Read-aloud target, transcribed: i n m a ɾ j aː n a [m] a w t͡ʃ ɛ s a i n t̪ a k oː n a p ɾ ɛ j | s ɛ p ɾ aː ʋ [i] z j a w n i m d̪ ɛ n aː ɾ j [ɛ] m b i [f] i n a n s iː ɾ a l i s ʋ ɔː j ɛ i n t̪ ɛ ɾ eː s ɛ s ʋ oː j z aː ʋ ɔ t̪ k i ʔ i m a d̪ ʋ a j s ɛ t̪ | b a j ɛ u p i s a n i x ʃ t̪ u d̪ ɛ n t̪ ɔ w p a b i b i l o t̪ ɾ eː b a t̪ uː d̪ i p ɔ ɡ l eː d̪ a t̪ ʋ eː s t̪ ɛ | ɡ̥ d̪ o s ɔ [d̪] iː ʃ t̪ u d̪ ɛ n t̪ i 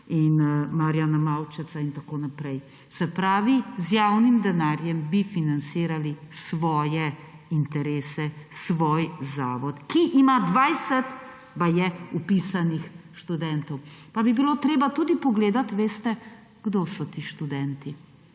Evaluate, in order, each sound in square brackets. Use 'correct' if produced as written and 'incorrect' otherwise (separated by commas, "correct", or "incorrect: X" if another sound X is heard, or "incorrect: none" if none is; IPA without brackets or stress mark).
correct, correct, correct, correct, incorrect: t̪